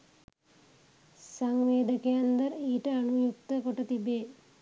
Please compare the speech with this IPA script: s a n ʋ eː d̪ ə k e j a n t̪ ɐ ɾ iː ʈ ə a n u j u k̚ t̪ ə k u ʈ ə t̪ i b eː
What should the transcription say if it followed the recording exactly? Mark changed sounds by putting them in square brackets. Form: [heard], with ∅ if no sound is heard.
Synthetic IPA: s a [ŋ] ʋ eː d̪ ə k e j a n [d̪] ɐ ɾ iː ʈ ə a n u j u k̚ t̪ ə k [o] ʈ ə t̪ i b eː